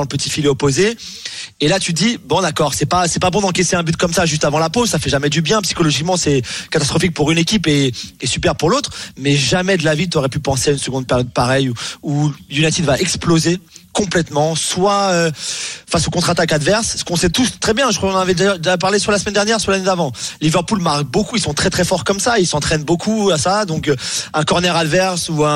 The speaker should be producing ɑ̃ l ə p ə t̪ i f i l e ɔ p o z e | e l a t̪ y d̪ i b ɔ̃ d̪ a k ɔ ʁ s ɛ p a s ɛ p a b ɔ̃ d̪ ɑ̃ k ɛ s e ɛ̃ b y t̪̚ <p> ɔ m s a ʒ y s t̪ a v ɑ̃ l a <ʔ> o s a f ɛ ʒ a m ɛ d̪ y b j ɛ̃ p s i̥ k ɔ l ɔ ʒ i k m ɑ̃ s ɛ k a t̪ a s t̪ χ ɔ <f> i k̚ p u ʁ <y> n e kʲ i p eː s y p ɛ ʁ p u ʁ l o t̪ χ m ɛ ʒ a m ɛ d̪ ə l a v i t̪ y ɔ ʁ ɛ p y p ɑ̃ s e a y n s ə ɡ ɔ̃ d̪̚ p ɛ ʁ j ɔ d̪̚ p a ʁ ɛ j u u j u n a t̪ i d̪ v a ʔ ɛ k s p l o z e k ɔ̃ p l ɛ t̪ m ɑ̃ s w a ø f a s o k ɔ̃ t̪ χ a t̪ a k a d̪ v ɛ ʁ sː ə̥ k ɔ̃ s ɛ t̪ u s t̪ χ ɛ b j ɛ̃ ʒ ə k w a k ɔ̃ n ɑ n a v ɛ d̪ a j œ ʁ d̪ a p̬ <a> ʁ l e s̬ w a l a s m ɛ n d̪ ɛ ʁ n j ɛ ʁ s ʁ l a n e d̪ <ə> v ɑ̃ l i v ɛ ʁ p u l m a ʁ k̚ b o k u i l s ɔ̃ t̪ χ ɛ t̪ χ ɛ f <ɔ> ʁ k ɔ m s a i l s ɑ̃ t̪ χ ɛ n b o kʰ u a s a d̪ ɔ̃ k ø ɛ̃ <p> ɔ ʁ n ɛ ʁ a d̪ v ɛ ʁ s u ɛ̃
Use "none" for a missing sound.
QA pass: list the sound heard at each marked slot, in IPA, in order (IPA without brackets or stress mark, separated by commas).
k, p, f, y, a, a, ɔ, k